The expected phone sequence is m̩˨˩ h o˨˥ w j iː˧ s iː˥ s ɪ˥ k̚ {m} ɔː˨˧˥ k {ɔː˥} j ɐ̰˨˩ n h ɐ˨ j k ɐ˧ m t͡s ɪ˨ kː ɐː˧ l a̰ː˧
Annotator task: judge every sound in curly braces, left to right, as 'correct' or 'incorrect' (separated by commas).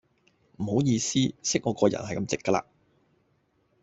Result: incorrect, incorrect